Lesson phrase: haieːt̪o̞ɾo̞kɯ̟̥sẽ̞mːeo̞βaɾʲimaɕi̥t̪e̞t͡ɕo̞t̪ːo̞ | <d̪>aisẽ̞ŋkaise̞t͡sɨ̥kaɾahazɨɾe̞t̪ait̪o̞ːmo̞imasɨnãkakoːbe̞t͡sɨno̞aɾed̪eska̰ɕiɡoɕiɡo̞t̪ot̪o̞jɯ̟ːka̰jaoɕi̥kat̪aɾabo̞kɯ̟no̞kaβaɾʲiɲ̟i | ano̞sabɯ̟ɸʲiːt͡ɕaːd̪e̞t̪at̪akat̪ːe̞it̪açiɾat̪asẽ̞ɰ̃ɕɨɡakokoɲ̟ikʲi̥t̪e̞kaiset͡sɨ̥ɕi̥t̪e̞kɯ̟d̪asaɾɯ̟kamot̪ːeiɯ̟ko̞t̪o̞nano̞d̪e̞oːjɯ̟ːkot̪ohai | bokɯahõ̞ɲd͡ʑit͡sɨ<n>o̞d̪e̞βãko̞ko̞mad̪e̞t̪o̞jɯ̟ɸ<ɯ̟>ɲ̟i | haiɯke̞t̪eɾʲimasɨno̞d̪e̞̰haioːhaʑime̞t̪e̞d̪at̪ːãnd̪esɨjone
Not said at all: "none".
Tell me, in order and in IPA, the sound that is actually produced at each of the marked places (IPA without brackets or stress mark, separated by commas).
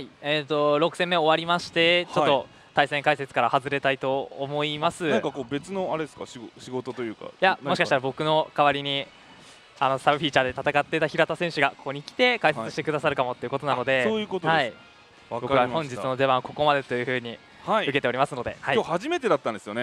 t̪, n, ɯ̟ː